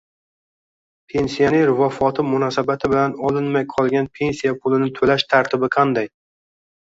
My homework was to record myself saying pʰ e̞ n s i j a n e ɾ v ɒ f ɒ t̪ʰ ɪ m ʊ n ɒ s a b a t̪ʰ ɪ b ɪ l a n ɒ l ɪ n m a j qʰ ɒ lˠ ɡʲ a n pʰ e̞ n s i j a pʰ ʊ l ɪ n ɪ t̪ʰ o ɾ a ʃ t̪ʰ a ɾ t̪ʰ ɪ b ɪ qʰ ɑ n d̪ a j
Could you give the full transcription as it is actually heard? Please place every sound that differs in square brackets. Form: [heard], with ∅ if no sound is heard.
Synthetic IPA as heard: pʰ e̞ n s i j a n e ɾ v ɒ f ɒ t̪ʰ ɪ m ʊ n ɒ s a b a t̪ʰ ɪ b ɪ l a n ɒ l ɪ n m a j qʰ ɒ lˠ ɡʲ a n pʰ e̞ n s i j a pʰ ʊ l ɪ n ɪ t̪ʰ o [l] a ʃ t̪ʰ a ɾ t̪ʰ ɪ b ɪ qʰ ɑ n d̪ a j